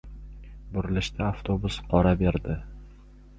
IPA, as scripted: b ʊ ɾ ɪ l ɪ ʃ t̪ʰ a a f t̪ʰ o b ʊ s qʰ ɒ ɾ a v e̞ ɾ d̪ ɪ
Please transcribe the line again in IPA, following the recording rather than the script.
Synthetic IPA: b ʊ ɾ ɪ l ɪ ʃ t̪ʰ a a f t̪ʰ o b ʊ s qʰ ɒ ɾ a b e̞ ɾ d̪ ɪ

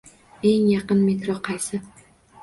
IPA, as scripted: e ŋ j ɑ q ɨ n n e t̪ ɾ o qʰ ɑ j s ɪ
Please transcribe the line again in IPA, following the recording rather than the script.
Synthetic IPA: e ŋ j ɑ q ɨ n m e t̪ ɾ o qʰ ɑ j s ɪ

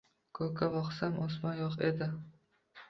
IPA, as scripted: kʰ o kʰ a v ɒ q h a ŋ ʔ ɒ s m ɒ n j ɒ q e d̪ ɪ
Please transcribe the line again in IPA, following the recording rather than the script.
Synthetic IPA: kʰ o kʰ a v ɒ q s a m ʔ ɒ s m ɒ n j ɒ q e d̪ ɪ

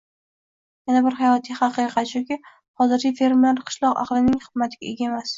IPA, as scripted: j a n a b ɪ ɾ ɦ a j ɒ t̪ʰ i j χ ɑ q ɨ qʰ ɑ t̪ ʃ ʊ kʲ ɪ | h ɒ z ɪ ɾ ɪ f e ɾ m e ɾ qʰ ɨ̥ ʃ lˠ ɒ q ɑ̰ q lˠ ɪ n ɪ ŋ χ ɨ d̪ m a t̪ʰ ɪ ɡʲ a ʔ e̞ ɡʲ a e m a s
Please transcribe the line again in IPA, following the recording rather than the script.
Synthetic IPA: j a n a b ɪ ɾ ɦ a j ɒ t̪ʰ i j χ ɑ q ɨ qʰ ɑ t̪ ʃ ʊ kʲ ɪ | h ɒ z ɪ ɾ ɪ f e ɾ m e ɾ qʰ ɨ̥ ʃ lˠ ɒ q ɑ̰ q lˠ ɪ n ɪ ŋ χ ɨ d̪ m a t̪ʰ ɪ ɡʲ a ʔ e̞ ɡʲ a e m a s

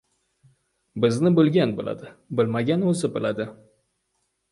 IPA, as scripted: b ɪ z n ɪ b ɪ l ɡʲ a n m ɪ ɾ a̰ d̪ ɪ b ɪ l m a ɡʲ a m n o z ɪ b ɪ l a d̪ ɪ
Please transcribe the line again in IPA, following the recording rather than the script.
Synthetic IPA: b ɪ z n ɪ b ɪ l ɡʲ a n b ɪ l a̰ d̪ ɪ b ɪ l m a ɡʲ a n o z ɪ b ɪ l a d̪ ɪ

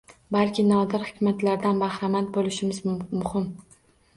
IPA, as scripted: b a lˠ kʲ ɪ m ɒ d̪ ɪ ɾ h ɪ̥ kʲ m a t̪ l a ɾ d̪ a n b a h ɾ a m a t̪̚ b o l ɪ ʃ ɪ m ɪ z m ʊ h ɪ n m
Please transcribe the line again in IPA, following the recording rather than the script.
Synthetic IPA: b a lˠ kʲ ɪ n ɒ d̪ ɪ ɾ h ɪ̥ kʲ m a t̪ l a ɾ d̪ a n b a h ɾ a m a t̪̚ b o l ɪ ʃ ɪ m ɪ z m ʊ h ɪ m

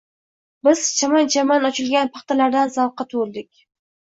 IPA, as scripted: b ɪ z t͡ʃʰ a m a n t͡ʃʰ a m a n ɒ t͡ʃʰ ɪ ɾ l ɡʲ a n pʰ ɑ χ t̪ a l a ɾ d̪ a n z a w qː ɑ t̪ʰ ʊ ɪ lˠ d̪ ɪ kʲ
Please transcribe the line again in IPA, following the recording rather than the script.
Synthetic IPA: b ɪ z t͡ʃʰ a m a n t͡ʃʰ a m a n ɒ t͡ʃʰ ɪ l ɡʲ a n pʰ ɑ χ t̪ a l a ɾ d̪ a n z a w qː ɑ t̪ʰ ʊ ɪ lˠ d̪ ɪ kʲ

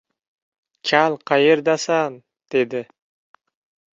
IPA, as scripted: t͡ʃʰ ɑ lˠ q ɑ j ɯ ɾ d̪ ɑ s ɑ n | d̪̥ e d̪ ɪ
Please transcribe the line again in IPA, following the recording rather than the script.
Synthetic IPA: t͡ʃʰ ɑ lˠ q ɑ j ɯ ɾ d̪ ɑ s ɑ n | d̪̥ e d̪ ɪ

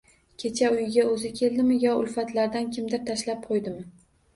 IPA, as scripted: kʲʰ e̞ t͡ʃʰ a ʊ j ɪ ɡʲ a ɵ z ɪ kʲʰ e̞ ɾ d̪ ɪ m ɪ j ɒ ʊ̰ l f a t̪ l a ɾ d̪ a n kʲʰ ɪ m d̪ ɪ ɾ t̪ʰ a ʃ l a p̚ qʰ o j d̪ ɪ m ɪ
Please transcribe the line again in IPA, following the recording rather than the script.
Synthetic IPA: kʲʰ e̞ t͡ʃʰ a ʊ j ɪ ɡʲ a ɵ z ɪ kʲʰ e̞ l d̪ ɪ m ɪ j ɒ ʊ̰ l f a t̪ l a ɾ d̪ a n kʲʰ ɪ m d̪ ɪ ɾ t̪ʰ a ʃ l a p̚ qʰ o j d̪ ɪ m ɪ

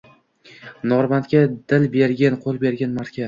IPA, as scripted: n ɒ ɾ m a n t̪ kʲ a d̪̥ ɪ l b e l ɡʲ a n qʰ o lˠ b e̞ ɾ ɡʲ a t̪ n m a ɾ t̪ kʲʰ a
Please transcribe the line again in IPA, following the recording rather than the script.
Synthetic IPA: n ɒ ɾ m a n t̪ kʲ a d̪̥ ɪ l b e ɾ ɡʲ a n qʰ o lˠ b e̞ ɾ ɡʲ a n m a ɾ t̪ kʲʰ a

